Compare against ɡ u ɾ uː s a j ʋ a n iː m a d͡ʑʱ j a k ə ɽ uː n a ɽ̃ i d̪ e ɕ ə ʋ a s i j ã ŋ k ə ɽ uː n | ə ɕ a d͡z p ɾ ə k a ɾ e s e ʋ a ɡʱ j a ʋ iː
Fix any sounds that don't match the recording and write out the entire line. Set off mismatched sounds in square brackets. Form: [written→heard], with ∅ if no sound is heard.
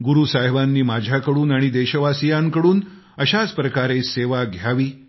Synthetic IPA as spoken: ɡ u ɾ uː s a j ʋ a [n→nː] iː m a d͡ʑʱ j a k ə ɽ uː n a ɽ̃ i d̪ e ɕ ə ʋ a s i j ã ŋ k ə ɽ uː n | ə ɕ a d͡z p ɾ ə k a ɾ e s e ʋ a ɡʱ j a ʋ iː